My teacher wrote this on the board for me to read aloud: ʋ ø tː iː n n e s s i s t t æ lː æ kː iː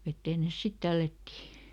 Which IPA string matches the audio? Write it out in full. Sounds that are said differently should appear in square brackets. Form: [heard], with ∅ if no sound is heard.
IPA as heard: ʋ [e] tː [eː] n n e s s i [∅] t t æ lː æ [tː] iː